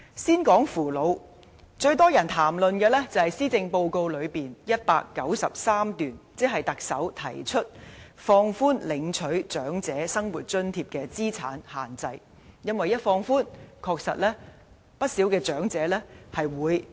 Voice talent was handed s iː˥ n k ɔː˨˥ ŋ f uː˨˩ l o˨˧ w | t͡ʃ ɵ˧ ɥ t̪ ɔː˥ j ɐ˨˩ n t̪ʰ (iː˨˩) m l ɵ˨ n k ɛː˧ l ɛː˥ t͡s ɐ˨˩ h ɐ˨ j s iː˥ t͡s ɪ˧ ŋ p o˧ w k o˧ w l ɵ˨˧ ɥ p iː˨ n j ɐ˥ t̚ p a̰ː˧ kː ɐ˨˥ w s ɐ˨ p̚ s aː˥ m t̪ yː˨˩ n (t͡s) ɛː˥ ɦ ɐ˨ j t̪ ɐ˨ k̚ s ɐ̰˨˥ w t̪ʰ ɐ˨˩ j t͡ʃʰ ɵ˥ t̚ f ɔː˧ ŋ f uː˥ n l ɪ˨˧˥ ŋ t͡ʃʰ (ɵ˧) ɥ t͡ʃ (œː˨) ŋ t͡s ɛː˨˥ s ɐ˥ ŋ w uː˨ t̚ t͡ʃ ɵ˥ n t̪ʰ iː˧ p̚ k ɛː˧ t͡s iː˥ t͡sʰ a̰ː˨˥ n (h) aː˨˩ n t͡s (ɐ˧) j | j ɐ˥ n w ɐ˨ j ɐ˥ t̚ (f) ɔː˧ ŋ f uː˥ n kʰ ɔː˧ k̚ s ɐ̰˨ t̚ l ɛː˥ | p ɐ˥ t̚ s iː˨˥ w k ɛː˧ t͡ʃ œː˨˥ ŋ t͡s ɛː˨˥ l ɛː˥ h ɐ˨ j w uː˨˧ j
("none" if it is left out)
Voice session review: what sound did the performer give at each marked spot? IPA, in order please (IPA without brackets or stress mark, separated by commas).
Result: aː˨˩, t͡s, ɵ˨˥, œː˨˥, h, ɐ˧, f